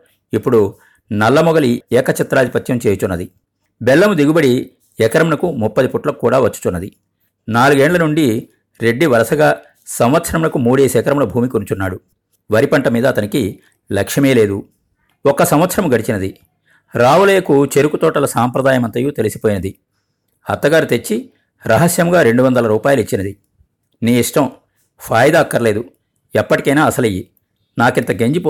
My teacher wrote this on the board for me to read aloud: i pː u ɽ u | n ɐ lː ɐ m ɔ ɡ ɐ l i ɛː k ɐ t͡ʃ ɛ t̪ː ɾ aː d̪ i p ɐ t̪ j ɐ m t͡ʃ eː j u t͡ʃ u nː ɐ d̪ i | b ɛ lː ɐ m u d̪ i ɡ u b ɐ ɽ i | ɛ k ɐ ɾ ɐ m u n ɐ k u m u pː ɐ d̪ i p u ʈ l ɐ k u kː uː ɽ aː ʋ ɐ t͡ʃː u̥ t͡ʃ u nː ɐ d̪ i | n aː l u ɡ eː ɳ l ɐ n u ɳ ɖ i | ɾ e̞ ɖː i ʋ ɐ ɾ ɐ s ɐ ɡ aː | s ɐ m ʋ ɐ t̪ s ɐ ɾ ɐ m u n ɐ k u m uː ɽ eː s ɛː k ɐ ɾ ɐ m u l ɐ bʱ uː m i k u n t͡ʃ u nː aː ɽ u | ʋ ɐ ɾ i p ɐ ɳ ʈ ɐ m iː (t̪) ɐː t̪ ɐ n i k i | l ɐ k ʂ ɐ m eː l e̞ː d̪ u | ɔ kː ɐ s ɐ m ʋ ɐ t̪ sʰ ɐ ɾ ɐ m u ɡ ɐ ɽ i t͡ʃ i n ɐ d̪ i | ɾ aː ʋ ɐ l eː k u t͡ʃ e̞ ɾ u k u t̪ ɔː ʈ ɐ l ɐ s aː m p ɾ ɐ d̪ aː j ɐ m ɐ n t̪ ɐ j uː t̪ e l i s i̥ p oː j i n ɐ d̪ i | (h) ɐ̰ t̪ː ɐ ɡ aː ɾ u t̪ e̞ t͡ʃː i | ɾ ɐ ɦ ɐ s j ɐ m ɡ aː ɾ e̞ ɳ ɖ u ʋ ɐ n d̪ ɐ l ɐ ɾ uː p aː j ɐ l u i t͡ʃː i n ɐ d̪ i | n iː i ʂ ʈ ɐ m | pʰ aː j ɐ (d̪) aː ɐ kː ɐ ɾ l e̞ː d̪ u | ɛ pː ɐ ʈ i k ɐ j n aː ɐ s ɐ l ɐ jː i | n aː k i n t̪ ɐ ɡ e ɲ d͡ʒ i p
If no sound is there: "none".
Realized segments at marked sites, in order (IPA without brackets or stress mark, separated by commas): d̪, h, d̪